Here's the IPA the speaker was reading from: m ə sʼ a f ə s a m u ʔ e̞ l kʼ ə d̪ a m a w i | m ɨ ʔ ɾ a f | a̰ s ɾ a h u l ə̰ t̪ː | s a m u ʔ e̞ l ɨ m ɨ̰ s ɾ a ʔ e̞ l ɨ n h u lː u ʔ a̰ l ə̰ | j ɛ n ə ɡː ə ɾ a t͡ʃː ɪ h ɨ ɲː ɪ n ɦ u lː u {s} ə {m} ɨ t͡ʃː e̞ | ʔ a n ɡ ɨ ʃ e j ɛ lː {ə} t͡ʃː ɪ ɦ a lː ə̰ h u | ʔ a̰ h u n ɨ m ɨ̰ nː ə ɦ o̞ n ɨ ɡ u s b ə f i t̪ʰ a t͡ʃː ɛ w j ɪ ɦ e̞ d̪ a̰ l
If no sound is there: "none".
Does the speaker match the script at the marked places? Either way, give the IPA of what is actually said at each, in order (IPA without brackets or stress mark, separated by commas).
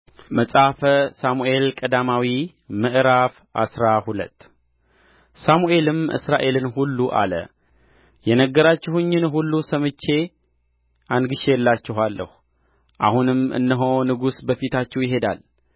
s, m, a